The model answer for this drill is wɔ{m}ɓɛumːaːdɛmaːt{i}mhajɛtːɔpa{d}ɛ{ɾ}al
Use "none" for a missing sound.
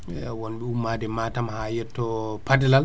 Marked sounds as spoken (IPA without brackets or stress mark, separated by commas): n, a, d, l